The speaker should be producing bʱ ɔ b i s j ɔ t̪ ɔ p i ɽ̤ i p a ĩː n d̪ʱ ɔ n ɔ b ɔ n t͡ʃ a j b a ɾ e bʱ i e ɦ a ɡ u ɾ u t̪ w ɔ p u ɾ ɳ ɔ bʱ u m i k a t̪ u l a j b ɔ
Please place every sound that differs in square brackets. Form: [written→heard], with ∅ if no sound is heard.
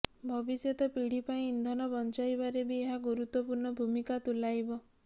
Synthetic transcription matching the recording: bʱ ɔ b i s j ɔ t̪ ɔ p i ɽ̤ i p a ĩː n d̪ʱ ɔ n ɔ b ɔ n t͡ʃ a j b a ɾ e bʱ i e ɦ a ɡ u ɾ u t̪ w ɔ p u ɾ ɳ ɔ bʱ u m i k a t̪ u l a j b ɔ